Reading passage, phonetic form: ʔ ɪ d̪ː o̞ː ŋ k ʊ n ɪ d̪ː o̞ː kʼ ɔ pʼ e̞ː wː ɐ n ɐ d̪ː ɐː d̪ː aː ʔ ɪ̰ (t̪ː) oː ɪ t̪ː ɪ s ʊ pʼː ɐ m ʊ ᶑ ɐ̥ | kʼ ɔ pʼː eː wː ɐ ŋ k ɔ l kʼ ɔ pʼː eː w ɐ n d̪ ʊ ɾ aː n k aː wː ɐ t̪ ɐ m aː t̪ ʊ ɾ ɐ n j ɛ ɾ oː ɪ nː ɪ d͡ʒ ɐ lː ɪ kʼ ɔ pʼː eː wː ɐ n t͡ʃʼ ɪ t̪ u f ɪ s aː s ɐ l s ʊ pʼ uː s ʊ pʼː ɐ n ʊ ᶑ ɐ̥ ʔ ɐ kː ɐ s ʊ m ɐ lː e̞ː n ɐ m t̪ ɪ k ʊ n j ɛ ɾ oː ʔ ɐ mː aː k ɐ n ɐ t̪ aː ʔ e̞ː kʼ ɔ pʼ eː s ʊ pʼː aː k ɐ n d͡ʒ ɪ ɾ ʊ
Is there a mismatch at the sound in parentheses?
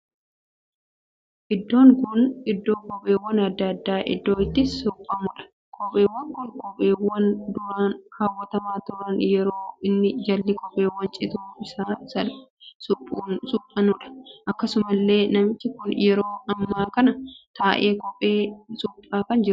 yes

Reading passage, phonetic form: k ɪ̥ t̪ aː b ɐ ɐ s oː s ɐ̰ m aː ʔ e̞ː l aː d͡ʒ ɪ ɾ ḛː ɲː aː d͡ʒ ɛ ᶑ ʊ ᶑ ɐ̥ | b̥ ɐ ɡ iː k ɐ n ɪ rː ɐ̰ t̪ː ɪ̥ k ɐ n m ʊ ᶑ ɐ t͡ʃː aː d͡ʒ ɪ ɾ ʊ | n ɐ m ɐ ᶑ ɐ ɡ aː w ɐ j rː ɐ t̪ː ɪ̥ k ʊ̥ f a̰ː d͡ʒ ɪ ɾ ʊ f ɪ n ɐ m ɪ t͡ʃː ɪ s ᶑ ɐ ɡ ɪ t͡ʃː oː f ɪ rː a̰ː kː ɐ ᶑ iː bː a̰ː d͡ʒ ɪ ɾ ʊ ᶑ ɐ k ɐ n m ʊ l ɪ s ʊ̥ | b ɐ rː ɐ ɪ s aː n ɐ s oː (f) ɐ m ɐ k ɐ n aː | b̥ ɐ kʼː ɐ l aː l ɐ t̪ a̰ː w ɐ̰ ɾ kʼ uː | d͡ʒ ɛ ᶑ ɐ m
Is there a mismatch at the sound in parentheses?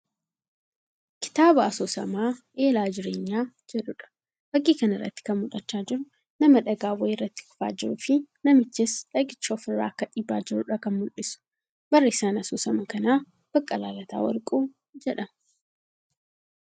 yes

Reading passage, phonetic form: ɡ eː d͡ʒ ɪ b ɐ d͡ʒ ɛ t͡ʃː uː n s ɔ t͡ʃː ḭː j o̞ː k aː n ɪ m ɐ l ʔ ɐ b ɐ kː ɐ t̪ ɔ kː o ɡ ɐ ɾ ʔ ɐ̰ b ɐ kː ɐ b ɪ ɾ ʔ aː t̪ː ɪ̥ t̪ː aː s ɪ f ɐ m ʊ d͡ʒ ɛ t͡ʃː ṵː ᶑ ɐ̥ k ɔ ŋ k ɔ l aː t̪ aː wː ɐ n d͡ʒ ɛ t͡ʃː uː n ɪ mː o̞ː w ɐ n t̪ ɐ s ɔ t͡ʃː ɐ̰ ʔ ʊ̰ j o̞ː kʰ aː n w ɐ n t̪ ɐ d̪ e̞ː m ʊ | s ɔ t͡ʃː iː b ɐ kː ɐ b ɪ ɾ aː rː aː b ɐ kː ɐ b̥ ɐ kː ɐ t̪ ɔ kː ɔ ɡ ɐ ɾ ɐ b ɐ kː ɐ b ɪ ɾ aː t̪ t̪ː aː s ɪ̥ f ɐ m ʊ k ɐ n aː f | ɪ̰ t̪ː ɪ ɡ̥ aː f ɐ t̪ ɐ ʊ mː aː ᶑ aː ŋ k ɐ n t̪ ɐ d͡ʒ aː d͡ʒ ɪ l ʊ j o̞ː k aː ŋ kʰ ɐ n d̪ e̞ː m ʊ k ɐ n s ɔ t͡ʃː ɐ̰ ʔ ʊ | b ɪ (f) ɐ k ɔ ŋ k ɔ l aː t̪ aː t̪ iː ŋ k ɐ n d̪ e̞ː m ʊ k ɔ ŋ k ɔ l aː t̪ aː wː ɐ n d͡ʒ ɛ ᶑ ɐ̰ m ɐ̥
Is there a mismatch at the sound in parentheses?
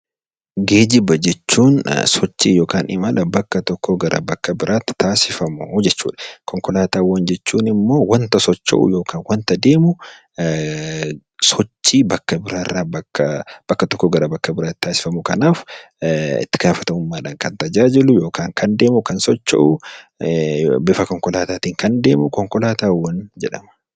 no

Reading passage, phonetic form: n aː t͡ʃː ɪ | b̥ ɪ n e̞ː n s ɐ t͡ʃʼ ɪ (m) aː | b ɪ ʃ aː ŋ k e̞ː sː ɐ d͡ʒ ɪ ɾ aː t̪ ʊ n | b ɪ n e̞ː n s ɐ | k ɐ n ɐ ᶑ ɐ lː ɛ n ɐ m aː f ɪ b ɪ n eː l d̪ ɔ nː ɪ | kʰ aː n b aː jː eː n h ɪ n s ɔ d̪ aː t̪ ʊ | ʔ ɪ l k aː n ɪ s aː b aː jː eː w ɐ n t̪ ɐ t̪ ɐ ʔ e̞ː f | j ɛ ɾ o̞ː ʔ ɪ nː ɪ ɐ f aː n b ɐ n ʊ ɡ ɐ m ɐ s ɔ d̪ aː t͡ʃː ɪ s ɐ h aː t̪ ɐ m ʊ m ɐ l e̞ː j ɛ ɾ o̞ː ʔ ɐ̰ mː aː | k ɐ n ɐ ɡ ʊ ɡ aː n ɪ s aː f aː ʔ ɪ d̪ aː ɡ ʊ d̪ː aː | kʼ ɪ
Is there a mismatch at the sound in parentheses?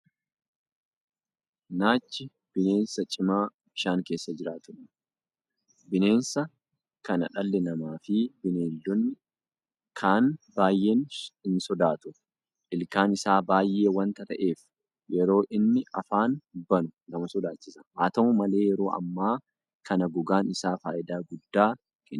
no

